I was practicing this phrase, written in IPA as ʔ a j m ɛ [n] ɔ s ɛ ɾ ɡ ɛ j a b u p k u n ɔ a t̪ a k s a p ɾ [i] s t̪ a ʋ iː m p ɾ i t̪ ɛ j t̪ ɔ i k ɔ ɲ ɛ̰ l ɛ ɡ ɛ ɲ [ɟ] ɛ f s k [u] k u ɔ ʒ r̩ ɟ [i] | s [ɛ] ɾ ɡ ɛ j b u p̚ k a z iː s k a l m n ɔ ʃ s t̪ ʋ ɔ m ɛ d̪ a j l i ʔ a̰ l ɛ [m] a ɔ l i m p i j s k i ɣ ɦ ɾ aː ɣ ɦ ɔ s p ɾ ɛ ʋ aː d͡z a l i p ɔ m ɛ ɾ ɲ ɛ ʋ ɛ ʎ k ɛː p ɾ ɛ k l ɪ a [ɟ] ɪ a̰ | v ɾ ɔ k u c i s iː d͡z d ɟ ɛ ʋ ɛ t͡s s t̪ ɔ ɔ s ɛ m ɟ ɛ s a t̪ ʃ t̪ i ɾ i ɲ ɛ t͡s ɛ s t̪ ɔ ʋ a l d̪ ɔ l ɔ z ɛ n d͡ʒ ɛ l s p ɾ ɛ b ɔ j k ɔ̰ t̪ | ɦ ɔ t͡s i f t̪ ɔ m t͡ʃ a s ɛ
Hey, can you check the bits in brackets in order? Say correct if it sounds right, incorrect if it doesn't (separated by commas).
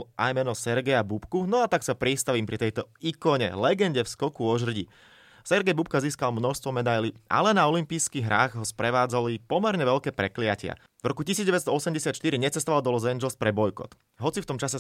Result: correct, correct, correct, incorrect, correct, correct, incorrect, incorrect